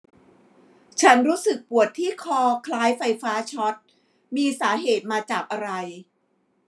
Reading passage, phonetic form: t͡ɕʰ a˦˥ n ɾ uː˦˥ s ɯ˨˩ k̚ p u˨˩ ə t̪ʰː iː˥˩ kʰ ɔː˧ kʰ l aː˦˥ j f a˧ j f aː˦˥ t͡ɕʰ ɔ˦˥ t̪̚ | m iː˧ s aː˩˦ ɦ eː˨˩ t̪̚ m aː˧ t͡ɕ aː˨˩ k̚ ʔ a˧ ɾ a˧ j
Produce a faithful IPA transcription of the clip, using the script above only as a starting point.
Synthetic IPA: t͡ɕʰ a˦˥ n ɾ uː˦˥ s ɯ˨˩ k̚ p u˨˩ ə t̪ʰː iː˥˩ kʰ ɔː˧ kʰ l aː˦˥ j f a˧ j f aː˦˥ t͡ɕʰ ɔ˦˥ t̪̚ | m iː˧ s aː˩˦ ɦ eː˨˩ t̪̚ m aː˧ t͡ɕ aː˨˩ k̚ ʔ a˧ ɾ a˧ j

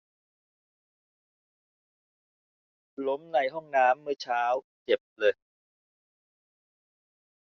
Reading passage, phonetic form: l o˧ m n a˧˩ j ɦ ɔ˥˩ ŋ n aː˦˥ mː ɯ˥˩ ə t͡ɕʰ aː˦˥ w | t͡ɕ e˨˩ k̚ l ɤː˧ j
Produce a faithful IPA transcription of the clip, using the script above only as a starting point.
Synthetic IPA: l o˦˥ m n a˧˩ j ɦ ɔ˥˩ ŋ n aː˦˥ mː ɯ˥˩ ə t͡ɕʰ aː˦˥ w | t͡ɕ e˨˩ p̚ l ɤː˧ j

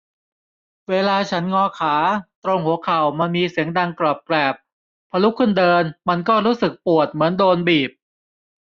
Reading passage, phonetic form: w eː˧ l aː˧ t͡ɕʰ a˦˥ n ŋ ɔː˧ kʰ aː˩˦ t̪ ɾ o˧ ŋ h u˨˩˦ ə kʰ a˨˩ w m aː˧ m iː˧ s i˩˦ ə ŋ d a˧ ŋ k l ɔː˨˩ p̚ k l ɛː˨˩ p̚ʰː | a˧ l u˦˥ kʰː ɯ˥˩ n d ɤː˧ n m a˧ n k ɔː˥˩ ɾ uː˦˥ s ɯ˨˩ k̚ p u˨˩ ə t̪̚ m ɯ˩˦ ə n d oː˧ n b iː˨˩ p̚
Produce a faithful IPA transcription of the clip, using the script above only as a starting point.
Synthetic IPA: w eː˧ l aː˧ t͡ɕʰ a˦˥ n ŋ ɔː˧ kʰ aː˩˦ t̪ ɾ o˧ ŋ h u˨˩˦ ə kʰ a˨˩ w m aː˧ m iː˧ s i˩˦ ə ŋ d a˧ ŋ k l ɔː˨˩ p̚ k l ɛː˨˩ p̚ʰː | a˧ l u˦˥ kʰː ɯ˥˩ n d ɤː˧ n m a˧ n k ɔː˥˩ ɾ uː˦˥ s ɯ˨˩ k̚ p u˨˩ ə t̪̚ m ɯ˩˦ ə n d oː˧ n b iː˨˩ p̚

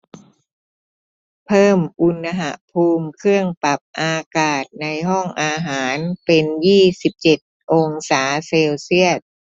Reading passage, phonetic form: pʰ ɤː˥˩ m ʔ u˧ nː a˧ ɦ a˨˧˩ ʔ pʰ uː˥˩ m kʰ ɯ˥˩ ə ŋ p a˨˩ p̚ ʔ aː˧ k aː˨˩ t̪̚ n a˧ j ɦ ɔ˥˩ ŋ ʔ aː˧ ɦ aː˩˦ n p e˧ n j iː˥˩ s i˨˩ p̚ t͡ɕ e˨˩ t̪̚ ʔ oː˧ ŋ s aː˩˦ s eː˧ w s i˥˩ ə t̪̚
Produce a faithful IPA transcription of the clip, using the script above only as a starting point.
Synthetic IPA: pʰ ɤː˥˩ m ʔ u˧ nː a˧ ɦ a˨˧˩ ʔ pʰ uː˧ m kʰ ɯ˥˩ ə ŋ p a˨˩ p̚ ʔ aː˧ k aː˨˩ t̪̚ n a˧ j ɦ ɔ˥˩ ŋ ʔ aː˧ ɦ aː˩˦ n p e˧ n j iː˥˩ s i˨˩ p̚ t͡ɕ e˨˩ t̪̚ ʔ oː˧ ŋ s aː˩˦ s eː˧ w s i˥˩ ə t̪̚

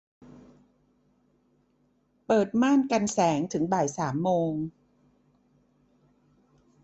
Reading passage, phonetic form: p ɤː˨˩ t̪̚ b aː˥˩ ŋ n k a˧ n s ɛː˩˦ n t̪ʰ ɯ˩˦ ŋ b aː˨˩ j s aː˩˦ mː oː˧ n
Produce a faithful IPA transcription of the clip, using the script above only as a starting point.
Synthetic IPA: p ɤː˨˩ t̪̚ m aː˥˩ n k a˧ n s ɛː˩˦ ŋ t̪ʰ ɯ˩˦ ŋ b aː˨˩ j s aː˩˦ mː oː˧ ŋ

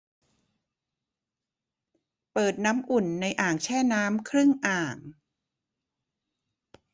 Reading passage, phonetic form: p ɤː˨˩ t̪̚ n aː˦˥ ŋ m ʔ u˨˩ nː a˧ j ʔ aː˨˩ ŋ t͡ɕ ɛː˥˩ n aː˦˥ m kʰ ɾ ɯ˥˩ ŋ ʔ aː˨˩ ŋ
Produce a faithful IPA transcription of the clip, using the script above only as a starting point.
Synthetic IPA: p ɤː˨˩ t̪̚ n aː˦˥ m ʔ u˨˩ nː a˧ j ʔ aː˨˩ ŋ t͡ɕʰ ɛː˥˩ n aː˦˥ m kʰ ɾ ɯ˥˩ ŋ ʔ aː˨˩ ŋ

